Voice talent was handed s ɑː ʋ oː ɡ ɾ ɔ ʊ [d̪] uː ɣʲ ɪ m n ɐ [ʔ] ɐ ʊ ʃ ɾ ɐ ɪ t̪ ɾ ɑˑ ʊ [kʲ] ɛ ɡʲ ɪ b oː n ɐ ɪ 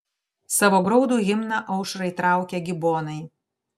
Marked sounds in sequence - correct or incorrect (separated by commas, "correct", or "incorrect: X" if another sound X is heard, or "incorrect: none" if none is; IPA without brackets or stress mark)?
correct, correct, correct